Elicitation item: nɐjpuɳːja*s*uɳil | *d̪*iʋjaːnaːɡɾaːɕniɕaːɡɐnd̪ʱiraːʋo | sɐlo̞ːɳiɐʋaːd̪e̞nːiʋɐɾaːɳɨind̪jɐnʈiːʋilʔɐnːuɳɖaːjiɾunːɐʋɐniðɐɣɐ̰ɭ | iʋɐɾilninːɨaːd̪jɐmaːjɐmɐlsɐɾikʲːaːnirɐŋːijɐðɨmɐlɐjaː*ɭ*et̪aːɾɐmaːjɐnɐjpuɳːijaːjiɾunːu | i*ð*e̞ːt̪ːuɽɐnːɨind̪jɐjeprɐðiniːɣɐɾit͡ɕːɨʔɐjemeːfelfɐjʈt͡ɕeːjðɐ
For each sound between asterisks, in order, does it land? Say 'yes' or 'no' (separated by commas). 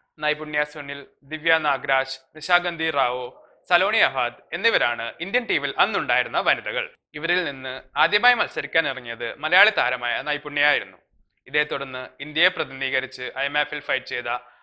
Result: yes, yes, yes, yes